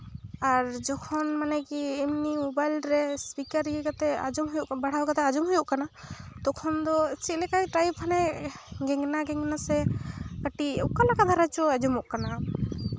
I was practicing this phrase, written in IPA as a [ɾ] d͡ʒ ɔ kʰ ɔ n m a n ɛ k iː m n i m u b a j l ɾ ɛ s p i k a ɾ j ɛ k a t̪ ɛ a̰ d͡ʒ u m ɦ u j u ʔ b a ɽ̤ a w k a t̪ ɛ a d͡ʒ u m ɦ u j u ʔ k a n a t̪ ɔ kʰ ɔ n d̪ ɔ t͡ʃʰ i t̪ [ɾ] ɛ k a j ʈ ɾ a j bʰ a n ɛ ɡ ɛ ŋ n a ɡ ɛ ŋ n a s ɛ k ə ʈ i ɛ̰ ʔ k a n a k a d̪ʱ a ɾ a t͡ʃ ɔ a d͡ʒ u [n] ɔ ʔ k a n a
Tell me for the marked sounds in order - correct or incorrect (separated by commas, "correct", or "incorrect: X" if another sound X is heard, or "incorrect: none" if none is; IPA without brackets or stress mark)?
correct, incorrect: l, incorrect: m